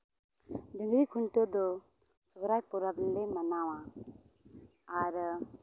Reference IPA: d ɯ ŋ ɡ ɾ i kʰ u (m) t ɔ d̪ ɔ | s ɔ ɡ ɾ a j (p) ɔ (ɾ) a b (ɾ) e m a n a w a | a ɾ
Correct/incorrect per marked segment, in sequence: incorrect: n, correct, correct, incorrect: l

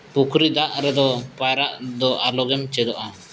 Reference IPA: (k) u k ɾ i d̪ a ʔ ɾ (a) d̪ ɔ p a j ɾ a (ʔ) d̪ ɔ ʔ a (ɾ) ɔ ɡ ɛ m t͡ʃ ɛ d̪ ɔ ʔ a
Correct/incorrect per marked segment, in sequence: incorrect: p, incorrect: ɛ, correct, incorrect: l

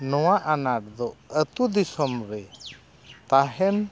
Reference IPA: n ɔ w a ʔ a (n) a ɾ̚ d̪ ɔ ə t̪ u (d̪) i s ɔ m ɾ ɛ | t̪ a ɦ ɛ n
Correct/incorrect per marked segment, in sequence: correct, correct

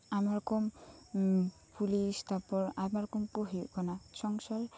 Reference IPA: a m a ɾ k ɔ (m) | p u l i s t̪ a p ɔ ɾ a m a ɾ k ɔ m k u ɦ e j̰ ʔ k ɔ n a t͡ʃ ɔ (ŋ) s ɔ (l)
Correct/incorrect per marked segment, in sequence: correct, correct, correct

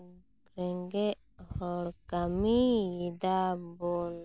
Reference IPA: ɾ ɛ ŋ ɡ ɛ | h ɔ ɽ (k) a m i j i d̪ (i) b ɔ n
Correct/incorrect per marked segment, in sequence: correct, incorrect: a

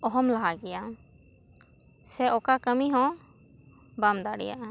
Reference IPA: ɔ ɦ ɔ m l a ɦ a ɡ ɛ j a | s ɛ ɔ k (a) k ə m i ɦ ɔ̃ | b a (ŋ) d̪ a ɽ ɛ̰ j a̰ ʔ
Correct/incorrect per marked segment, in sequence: correct, incorrect: m

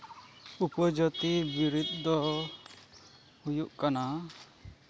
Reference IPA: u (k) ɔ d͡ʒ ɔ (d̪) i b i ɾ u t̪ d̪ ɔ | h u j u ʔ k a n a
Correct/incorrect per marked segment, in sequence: incorrect: p, incorrect: t̪

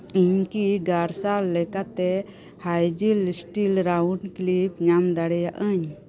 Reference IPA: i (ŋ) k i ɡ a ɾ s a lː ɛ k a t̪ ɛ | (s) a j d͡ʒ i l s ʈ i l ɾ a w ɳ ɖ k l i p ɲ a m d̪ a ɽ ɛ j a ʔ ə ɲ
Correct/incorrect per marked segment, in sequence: incorrect: ɲ, incorrect: h

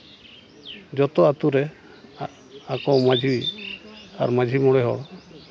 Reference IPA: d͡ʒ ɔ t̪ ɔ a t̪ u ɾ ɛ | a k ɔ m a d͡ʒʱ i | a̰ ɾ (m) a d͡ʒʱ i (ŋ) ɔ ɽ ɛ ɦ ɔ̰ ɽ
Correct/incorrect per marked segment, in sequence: correct, incorrect: m

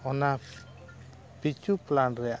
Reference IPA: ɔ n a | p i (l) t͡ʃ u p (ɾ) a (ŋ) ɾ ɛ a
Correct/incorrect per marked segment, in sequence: incorrect: none, incorrect: l, incorrect: n

